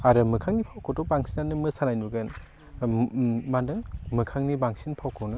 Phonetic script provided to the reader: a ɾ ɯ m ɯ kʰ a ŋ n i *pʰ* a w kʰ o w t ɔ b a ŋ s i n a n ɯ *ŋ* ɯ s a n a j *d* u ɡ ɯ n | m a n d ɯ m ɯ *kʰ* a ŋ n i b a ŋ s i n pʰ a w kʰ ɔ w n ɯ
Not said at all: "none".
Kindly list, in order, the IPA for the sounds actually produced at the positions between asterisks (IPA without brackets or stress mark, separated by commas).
pʰ, m, n, kʰ